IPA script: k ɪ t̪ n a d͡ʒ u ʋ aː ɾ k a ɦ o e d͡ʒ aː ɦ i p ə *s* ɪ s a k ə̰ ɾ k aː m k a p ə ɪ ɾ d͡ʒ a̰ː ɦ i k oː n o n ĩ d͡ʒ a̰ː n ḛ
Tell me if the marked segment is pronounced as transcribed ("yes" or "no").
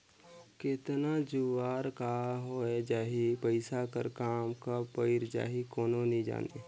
no